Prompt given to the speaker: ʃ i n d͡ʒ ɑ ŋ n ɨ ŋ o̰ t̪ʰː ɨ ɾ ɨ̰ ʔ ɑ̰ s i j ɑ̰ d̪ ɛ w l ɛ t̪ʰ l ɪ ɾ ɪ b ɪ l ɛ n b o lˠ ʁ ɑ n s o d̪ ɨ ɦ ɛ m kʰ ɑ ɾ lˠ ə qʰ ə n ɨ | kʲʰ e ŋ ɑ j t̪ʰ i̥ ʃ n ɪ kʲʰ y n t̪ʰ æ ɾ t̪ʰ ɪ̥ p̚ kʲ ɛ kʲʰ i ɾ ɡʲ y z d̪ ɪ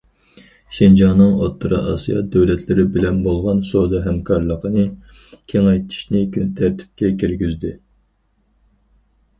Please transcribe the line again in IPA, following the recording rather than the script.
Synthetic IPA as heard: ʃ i n d͡ʒ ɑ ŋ n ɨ ŋ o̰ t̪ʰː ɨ ɾ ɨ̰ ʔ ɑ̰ s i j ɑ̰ d̪ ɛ w l ɛ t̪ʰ l ɪ ɾ ɪ b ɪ l ɛ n b o lˠ ʁ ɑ n s o d̪ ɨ ɦ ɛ m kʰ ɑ ɾ lˠ ə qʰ ə n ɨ | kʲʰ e ŋ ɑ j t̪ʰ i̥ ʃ n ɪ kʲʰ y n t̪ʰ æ ɾ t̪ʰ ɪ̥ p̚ kʲ ɛ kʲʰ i ɾ ɡʲ y z d̪ ɪ

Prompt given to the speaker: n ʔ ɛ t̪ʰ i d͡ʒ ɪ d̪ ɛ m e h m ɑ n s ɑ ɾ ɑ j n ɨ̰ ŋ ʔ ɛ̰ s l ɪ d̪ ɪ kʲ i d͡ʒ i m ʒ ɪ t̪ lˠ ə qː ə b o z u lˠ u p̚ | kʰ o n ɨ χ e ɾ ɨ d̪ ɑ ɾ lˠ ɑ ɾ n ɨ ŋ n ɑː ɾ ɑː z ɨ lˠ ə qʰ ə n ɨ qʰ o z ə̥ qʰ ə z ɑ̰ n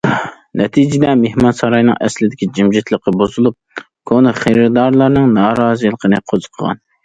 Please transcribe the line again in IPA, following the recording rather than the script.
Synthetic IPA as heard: n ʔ ɛ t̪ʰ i d͡ʒ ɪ d̪ ɛ m e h m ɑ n s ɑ ɾ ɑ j n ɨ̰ ŋ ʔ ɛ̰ s l ɪ d̪ ɪ kʲ i d͡ʒ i m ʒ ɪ t̪ lˠ ə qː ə b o z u lˠ u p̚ | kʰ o n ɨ χ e ɾ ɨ d̪ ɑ ɾ lˠ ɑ ɾ n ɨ ŋ n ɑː ɾ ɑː z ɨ lˠ ə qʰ ə n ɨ qʰ o z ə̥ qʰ ə ʁ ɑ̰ n

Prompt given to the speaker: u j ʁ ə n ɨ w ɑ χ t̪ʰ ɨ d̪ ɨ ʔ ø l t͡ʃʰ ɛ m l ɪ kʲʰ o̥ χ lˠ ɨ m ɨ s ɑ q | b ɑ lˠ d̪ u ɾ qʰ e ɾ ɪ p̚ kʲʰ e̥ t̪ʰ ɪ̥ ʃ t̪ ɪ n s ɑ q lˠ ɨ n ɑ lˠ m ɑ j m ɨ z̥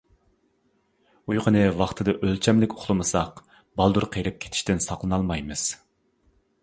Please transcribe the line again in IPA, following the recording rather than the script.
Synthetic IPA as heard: u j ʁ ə n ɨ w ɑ χ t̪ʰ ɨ d̪ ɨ ʔ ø l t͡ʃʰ ɛ m l ɪ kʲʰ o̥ χ lˠ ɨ m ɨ s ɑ q | b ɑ lˠ d̪ u ɾ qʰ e ɾ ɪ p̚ kʲʰ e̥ t̪ʰ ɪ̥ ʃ t̪ ɪ n s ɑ q lˠ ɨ n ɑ lˠ m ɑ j m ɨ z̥

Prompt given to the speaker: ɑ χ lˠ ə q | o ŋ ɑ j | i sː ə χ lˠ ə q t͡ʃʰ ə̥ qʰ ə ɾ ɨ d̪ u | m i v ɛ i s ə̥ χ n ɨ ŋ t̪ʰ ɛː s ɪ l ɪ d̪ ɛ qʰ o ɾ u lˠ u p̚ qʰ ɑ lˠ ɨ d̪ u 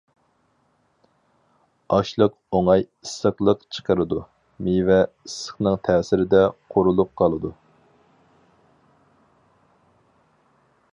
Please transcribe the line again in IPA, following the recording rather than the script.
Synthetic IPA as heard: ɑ ʃ lˠ ə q | o ŋ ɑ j | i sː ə χ lˠ ə q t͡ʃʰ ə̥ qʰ ə ɾ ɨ d̪ u | m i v ɛ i s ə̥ χ n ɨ ŋ t̪ʰ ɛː s ɪ ɾ ɪ d̪ ɛ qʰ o ɾ u lˠ u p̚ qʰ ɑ lˠ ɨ d̪ u

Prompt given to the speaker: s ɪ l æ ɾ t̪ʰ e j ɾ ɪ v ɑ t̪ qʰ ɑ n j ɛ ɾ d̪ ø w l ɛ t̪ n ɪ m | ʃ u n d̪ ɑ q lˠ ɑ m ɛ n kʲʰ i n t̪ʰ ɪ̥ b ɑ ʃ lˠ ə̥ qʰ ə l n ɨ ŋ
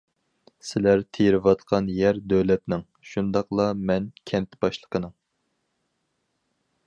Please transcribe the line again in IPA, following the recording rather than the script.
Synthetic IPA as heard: s ɪ l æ ɾ t̪ʰ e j ɾ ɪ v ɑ t̪ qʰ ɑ n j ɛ ɾ d̪ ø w l ɛ t̪ n ɪ ŋ | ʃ u n d̪ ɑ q lˠ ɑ m ɛ n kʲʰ ɛ n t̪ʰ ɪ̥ b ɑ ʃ lˠ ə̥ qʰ ə n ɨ ŋ

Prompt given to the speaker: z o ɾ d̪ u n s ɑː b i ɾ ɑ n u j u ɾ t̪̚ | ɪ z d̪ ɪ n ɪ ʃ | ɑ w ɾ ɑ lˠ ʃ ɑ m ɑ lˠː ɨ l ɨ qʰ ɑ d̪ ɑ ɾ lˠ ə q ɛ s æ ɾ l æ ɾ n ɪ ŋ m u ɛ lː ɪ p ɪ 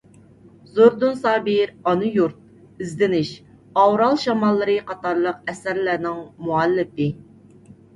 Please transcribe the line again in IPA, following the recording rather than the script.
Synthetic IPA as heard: z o ɾ d̪ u n s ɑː b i ɾ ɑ n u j u ɾ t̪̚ | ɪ z d̪ ɪ n ɪ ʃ | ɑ w ɾ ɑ lˠ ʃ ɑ m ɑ lˠː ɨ ɾ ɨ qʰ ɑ t̪ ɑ ɾ lˠ ə q ɛ s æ ɾ l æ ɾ n ɪ ŋ m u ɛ lː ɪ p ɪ

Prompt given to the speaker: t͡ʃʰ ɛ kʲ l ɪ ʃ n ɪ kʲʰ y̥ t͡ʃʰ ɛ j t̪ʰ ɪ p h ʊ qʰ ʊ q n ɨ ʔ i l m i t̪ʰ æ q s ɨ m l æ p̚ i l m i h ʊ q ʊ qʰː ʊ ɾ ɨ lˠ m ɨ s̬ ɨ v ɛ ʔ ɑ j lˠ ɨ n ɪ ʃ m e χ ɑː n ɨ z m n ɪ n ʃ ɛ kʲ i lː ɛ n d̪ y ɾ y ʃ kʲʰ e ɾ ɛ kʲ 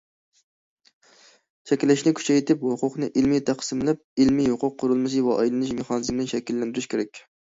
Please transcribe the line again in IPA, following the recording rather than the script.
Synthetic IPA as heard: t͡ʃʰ ɛ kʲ l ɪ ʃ n ɪ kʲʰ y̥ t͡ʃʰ ɛ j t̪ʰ ɪ p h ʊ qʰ ʊ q n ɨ ʔ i l m i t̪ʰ æ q s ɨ m l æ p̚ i l m i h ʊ q ʊ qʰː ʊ ɾ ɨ lˠ m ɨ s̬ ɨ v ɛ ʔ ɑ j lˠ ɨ n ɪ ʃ m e χ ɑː n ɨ z m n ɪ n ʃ ɛ kʲ i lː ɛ n d̪ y ɾ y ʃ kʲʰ e ɾ ɛ kʲ

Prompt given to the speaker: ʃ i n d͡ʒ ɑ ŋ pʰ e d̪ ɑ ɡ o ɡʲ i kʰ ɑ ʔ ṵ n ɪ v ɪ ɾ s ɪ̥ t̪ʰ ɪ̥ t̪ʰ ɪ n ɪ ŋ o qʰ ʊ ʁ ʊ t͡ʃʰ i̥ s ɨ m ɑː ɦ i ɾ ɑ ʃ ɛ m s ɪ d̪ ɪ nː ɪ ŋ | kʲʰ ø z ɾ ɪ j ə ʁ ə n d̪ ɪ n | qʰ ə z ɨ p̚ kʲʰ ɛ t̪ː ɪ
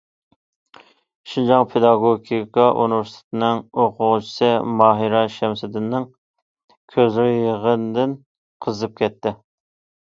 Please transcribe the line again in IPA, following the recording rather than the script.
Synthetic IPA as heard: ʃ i n d͡ʒ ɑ ŋ pʰ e d̪ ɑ ɡ o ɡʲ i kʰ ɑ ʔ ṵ n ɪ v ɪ ɾ s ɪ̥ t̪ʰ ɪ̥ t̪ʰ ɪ n ɪ ŋ o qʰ ʊ ʁ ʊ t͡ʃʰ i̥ s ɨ m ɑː ɦ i ɾ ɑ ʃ ɛ m s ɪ d̪ ɪ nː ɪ ŋ | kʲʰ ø z ɾ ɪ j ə ʁ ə n d̪ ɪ n | qʰ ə z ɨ p̚ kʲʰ ɛ t̪ː ɪ

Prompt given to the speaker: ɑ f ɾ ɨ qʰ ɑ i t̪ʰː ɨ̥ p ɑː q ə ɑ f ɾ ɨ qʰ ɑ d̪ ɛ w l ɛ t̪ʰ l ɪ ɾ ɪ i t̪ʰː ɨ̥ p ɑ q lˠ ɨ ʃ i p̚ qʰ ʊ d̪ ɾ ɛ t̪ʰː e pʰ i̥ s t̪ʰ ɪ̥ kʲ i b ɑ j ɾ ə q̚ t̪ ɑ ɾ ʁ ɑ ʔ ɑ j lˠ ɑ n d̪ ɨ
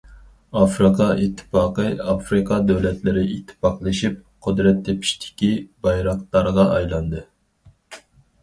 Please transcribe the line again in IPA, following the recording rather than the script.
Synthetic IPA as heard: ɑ f ɾ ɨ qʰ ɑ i t̪ʰː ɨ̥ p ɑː q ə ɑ f ɾ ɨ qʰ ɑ d̪ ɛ w l ɛ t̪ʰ l ɪ ɾ ɪ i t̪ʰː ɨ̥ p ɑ q lˠ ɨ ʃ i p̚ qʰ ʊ d̪ ɾ ɛ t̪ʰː e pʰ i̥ ʃ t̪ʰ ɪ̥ kʲ i b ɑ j ɾ ɑ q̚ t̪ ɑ ɾ ʁ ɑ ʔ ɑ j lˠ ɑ n d̪ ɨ

